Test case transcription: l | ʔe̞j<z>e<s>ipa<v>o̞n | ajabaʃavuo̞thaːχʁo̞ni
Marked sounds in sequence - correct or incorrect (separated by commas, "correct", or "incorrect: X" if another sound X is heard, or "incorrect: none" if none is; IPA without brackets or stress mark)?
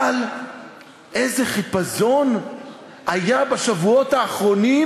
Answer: correct, incorrect: χ, incorrect: z